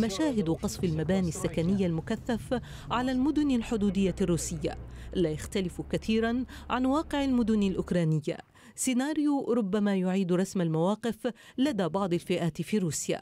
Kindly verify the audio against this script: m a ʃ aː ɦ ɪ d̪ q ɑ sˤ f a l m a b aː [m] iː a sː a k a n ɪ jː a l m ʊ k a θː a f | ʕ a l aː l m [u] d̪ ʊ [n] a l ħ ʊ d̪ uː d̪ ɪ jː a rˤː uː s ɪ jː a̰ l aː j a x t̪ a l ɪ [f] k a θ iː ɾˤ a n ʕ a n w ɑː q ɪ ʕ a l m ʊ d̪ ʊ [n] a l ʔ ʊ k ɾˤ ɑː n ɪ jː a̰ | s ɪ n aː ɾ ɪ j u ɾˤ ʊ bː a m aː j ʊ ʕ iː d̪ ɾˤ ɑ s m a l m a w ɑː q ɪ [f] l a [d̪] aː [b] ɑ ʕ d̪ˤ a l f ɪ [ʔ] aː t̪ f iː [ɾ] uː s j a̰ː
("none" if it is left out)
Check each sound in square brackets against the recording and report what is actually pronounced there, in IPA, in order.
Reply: n, ʊ, n, f, n, f, d̪, b, ʔ, ɾ

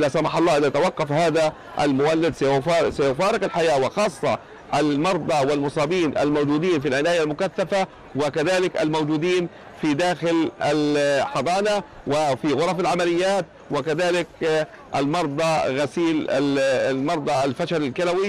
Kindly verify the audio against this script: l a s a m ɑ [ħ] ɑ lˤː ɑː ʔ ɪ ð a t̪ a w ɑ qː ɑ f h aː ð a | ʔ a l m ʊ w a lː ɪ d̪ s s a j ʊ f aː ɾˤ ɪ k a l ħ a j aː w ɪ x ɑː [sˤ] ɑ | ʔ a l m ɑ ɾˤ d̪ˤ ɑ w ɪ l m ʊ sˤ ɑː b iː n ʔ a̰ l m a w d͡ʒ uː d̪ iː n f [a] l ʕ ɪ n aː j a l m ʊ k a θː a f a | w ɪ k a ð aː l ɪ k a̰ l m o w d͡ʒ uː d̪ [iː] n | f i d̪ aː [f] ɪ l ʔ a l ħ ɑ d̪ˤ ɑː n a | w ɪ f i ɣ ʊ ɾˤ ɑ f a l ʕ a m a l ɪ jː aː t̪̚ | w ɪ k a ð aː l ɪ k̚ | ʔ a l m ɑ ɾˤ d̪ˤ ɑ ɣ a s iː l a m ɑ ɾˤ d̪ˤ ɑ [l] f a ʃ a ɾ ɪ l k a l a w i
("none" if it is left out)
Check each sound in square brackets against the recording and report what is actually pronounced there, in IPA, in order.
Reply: ħ, sˤː, i, iː, x, l

